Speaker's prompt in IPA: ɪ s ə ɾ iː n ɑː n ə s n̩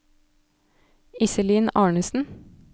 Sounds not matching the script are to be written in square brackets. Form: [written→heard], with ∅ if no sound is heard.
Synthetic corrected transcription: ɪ s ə [ɾ→l] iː n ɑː [n→ɳ] ə s n̩